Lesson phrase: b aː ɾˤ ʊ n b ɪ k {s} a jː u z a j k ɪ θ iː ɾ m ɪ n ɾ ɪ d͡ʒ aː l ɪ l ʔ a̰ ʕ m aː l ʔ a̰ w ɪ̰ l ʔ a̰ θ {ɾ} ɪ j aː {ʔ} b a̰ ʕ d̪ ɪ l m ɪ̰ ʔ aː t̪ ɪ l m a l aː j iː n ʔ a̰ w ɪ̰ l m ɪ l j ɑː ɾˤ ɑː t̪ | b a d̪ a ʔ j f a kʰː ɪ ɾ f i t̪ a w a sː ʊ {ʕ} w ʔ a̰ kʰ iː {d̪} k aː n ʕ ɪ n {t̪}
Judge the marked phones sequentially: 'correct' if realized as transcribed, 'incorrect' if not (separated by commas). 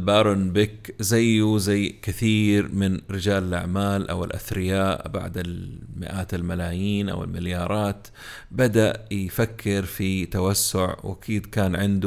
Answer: incorrect, correct, correct, correct, correct, incorrect